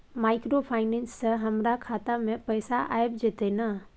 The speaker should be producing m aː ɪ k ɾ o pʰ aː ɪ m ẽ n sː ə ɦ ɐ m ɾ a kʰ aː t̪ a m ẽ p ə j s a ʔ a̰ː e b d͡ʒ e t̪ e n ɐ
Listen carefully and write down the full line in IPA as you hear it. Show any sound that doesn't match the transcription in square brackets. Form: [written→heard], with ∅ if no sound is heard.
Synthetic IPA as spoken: m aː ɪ k ɾ o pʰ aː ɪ [m→n] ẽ n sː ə ɦ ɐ m ɾ a kʰ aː t̪ a m ẽ p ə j s a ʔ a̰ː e b d͡ʒ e t̪ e n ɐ